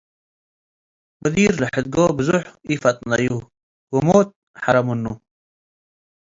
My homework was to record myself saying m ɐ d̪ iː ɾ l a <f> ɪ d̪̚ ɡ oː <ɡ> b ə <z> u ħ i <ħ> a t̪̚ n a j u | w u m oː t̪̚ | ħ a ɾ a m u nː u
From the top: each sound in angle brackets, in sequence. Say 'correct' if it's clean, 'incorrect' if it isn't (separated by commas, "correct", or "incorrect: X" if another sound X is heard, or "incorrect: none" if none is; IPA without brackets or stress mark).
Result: incorrect: ħ, incorrect: none, correct, incorrect: f